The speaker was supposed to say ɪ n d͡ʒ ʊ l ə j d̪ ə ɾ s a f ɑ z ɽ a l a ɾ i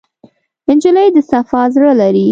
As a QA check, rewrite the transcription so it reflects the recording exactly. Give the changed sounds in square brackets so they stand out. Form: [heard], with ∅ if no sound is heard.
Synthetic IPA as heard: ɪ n d͡ʒ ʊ l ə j d̪ ə [∅] s a f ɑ z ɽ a l a ɾ i

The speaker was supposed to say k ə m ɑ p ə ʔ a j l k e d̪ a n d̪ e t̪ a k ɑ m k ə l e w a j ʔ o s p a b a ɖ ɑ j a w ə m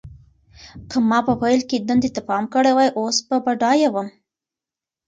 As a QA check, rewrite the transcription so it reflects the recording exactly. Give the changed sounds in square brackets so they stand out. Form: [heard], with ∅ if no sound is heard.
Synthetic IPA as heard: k ə m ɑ p ə [p] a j l k e d̪ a n d̪ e t̪ a [p] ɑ m k ə [ɽ] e w a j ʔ o s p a b a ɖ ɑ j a w ə m

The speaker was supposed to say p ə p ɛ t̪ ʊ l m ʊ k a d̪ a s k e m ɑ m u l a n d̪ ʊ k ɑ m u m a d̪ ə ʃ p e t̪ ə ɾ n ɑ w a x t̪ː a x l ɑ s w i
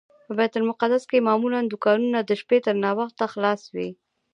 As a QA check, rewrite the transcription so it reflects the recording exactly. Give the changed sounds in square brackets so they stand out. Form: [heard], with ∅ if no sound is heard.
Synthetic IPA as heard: p ə [b] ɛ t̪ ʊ l m ʊ [q] a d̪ a s k e m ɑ m u l a n d̪ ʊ k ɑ [n] u [n] a d̪ ə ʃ p e t̪ ə ɾ n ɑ w a x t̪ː a x l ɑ s w i

